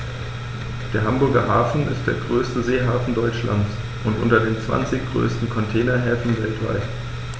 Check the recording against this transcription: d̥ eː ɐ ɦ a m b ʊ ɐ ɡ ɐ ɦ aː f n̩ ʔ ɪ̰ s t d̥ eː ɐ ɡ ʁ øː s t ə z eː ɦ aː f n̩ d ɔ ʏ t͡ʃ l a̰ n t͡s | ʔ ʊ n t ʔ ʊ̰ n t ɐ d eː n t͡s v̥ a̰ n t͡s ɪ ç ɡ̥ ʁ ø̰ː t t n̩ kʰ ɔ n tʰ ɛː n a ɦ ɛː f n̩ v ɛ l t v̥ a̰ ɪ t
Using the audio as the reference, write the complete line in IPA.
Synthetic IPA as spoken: d̥ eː ɐ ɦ a m b ʊ ɐ ɡ ɐ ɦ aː f n̩ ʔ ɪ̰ s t d̥ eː ɐ ɡ ʁ øː s t ə z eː ɦ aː f n̩ d ɔ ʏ t͡ʃ l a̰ n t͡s | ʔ ʊ n t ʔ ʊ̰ n t ɐ d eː n t͡s v̥ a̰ n t͡s ɪ ç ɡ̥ ʁ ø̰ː s t n̩ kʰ ɔ n tʰ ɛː n ɐ ɦ ɛː f n̩ v ɛ l t v̥ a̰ ɪ t

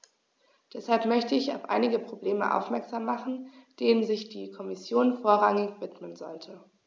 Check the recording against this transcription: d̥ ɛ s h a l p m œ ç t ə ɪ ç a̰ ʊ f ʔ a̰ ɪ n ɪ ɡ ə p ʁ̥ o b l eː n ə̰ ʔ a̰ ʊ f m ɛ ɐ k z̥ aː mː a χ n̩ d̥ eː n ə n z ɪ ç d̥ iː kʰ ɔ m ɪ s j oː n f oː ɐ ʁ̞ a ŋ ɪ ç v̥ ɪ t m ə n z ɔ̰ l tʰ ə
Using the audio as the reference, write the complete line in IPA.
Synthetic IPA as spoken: d̥ ɛ s h a l p m œ ç t ə ɪ ç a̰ ʊ f ʔ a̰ ɪ n ɪ ɡ ə p ʁ̥ o b l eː m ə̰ ʔ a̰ ʊ f m ɛ ɐ k z̥ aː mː a χ n̩ d̥ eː n ə n z ɪ ç d̥ iː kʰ ɔ m ɪ s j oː n f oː ɐ ʁ̞ a ŋ ɪ ç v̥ ɪ t m ə n z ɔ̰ l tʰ ə

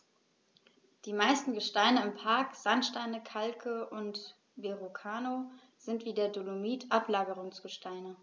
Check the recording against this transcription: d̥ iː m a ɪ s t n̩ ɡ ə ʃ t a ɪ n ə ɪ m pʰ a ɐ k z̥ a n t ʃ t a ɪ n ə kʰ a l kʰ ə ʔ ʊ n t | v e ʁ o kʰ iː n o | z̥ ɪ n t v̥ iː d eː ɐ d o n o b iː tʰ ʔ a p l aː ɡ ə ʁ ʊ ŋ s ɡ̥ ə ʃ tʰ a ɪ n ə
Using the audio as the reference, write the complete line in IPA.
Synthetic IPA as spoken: d̥ iː m a ɪ s t n̩ ɡ ə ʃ t a ɪ n ə ɪ m pʰ a ɐ k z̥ a n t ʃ t a ɪ n ə kʰ a l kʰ ə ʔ ʊ n t | v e ʁ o kʰ aː n o | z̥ ɪ n t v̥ iː d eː ɐ d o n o m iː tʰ ʔ a p l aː ɡ ə ʁ ʊ ŋ s ɡ̥ ə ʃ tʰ a ɪ n ə

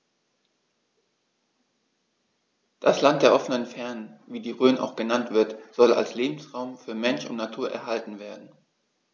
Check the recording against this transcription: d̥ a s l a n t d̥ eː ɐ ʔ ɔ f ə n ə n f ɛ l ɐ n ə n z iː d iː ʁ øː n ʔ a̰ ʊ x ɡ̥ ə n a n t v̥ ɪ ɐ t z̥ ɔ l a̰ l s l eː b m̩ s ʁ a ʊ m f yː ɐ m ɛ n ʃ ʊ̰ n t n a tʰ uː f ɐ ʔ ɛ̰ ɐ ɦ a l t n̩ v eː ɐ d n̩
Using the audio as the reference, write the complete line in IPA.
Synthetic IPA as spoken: d̥ a s l a n t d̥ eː ɐ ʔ ɔ f ə n ə n f ɛ ɐ n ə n v iː d iː ʁ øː n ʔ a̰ ʊ x ɡ̥ ə n a n t v̥ ɪ ɐ t z̥ ɔ l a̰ l s l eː b m̩ s ʁ a ʊ m f yː ɐ m ɛ n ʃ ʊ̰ n t n a tʰ uː ɐ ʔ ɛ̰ ɐ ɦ a l t n̩ v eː ɐ d n̩

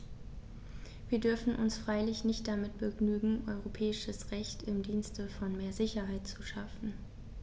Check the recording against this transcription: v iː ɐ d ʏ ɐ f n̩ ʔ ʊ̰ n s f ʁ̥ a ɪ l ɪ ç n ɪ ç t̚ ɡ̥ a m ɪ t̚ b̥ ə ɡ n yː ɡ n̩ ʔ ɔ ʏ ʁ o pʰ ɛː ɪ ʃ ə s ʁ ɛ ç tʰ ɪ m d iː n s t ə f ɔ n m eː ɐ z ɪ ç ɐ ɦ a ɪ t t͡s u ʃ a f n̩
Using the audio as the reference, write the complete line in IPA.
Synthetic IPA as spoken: v iː ɐ d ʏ ɐ f n̩ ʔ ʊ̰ n s f ʁ̥ a ɪ l ɪ ç n ɪ ç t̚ d̥ a m ɪ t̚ b̥ ə ɡ n yː ɡ ŋ̩ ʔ ɔ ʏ ʁ o pʰ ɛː ɪ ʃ ə s ʁ ɛ ç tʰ ɪ m d iː n s t ə f ɔ n m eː ɐ z ɪ ç ɐ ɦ a ɪ t t͡s u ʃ a f n̩

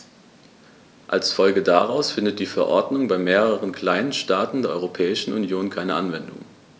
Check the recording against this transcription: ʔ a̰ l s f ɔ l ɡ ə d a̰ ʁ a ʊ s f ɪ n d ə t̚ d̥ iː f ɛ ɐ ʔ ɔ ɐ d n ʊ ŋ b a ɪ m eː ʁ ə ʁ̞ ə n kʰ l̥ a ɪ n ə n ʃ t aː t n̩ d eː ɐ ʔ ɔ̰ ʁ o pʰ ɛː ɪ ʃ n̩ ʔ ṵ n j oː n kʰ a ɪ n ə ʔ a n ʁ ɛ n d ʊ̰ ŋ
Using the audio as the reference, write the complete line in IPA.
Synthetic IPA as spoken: ʔ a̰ l s f ɔ l ɡ ə d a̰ ʁ a ʊ s f ɪ n d ə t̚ d̥ iː f ɛ ɐ ʔ ɔ ɐ d n ʊ ŋ b a ɪ m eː ʁ ə ʁ̞ ə n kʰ l̥ a ɪ n ə n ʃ t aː t n̩ d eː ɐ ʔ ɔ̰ ʁ o pʰ ɛː ɪ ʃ n̩ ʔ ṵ n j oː n kʰ a ɪ n ə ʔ a n v ɛ n d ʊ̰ ŋ

